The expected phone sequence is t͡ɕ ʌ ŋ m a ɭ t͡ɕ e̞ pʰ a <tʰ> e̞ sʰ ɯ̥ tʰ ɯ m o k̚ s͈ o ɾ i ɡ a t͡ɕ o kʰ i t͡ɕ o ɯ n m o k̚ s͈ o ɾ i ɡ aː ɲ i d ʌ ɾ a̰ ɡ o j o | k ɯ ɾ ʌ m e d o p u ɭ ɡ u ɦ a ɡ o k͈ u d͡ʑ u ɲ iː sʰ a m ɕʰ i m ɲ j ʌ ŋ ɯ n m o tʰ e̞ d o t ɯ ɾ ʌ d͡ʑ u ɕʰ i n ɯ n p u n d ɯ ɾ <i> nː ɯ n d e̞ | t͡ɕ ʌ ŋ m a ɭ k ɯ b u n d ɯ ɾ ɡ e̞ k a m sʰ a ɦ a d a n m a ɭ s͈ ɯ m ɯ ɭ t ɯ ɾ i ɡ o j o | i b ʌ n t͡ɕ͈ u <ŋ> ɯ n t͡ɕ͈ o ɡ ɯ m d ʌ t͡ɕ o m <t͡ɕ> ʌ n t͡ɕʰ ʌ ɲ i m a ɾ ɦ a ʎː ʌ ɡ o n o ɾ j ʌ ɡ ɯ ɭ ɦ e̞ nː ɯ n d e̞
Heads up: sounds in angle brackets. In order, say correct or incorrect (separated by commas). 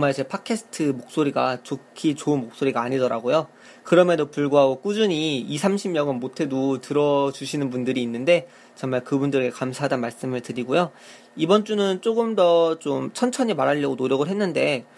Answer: incorrect, incorrect, incorrect, incorrect